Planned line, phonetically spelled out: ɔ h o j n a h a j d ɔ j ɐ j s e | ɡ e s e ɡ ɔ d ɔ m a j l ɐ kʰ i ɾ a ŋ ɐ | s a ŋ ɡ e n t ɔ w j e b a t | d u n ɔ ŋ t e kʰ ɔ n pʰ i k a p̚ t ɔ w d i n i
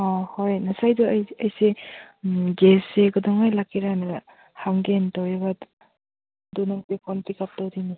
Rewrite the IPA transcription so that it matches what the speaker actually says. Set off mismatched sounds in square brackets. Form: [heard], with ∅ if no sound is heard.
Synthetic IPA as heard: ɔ h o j n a [s] a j d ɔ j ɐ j s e | ɡ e s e ɡ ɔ d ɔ [ŋ] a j l [a] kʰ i ɾ a [n] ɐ | [h] a ŋ ɡ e n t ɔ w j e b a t | d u n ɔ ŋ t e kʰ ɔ n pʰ i k a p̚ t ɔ w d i n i